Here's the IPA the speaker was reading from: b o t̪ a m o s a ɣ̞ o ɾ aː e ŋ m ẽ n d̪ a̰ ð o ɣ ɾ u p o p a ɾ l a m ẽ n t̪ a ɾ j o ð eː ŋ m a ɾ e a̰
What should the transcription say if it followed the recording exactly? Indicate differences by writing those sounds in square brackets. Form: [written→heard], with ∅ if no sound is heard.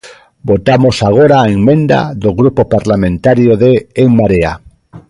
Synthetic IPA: b o t̪ a m o s a ɣ̞ o ɾ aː e ŋ m ẽ n d̪ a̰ ð o ɣ ɾ u p o p a ɾ l a m ẽ n t̪ a ɾ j o ð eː ŋ m a ɾ e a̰

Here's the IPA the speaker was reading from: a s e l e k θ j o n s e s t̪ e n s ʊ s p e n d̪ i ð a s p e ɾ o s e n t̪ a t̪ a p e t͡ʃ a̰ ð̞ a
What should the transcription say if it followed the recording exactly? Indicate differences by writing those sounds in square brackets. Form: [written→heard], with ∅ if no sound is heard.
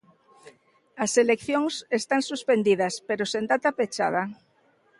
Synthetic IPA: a s e l e k θ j o [n→ŋ] s e s t̪ [e→a] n s [ʊ→u] s p e n d̪ i ð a s p e ɾ o s e n [t̪→d̪] a t̪ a p e t͡ʃ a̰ ð̞ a

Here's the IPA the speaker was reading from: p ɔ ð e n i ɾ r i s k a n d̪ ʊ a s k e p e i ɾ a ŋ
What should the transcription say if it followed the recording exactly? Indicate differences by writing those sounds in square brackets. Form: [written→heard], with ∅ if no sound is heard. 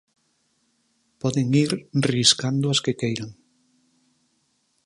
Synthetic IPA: p ɔ ð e [n→ŋ] i ɾ r i s k a n d̪ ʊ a s k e [p→k] e [i→j] ɾ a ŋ

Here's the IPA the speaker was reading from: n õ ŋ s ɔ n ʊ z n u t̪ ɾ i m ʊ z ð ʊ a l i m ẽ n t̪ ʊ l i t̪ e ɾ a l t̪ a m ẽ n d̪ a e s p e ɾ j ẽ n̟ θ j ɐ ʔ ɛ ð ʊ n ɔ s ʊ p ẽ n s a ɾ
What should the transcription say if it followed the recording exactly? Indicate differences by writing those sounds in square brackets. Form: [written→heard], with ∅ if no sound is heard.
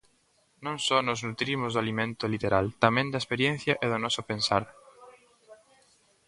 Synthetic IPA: n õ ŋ s ɔ n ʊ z n u t̪ ɾ i m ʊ z ð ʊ a l i m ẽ n t̪ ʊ l i t̪ e ɾ a l t̪ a m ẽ n d̪ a e s p e ɾ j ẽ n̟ θ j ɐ ʔ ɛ ð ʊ n ɔ s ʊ p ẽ n s a ɾ

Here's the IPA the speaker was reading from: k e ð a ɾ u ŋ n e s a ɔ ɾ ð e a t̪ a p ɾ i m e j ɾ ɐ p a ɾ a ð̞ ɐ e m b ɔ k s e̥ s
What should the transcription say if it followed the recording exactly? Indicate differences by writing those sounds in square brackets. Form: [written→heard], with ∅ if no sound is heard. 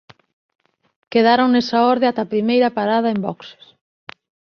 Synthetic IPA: k e ð a ɾ [u→o] ŋ n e s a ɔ ɾ ð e a t̪ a p ɾ i m e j ɾ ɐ p a ɾ a ð̞ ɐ e m b ɔ k s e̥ s

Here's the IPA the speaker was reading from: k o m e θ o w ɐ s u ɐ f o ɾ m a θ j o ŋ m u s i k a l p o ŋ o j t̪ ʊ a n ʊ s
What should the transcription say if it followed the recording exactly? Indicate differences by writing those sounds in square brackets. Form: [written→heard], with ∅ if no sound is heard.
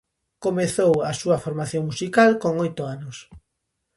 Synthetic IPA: k o m e θ o w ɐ s u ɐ f o ɾ m a θ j o ŋ m u s i k a l [p→k] o ŋ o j t̪ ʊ a n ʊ s

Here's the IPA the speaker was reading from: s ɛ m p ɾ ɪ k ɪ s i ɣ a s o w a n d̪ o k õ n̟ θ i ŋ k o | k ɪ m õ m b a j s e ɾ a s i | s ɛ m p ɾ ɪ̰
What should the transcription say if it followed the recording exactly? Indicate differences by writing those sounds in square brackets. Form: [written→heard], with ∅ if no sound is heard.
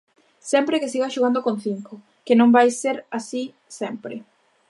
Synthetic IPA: s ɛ m p ɾ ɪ k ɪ s i ɣ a [s→ʃ] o [w→ɣ] a n d̪ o k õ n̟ θ i ŋ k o | k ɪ [m→n] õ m b a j s e ɾ a s i | s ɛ m p ɾ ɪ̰

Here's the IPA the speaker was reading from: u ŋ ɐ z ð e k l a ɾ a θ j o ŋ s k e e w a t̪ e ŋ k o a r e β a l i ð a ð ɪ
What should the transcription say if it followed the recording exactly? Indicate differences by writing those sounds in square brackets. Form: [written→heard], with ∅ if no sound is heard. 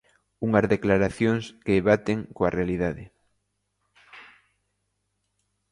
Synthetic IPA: u ŋ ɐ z ð e k l a ɾ a θ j o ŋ s k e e [w→β] a t̪ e ŋ k o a r e [β→∅] a l i ð a ð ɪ

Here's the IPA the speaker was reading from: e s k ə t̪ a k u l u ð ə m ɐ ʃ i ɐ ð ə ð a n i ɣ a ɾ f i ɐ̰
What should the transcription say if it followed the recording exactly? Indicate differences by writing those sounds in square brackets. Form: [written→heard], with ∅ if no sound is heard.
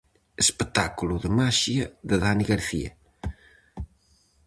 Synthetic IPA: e s [k→p] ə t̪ a k u l u ð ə m [ɐ→a] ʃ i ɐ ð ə ð a n i ɣ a ɾ [f→θ] i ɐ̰

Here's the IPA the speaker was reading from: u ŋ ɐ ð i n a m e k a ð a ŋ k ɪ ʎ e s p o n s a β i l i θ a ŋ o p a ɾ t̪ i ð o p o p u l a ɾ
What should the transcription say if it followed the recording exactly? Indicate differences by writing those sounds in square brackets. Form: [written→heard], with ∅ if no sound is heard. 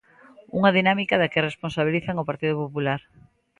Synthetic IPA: u ŋ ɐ ð i n a m [e→i] k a ð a [ŋ→∅] k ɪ [ʎ→r] e s p o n s a β i l i θ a ŋ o p a ɾ t̪ i ð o p o p u l a ɾ

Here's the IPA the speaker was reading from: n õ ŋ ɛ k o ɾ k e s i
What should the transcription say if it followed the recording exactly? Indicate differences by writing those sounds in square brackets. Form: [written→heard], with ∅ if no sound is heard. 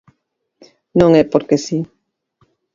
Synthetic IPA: n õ ŋ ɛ [k→p] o ɾ k e s i

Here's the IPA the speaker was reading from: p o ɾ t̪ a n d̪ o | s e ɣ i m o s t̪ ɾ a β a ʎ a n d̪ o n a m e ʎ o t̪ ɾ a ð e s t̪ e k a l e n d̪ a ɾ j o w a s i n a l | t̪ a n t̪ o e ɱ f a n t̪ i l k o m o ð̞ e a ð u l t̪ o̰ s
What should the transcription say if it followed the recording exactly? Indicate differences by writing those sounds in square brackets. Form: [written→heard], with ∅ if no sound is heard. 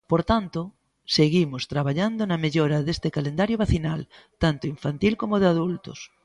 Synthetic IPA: p o ɾ t̪ a n [d̪→t̪] o | s e ɣ i m o s t̪ ɾ a β a ʎ a n d̪ o n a m e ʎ o [t̪→∅] ɾ a ð e s t̪ e k a l e n d̪ a ɾ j o [w→β] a [s→θ] i n a l | t̪ a n t̪ o [e→i] ɱ f a n t̪ i l k o m o ð̞ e a ð u l t̪ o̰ s

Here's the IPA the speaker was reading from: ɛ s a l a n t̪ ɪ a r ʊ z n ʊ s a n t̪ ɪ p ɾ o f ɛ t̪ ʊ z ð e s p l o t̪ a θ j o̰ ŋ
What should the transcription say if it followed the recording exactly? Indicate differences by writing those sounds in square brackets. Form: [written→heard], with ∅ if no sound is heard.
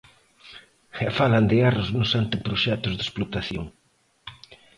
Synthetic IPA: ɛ [s→f] a l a n [t̪→d̪] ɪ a r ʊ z n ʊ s a n t̪ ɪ p ɾ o [f→ʃ] ɛ t̪ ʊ z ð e s p l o t̪ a θ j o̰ ŋ

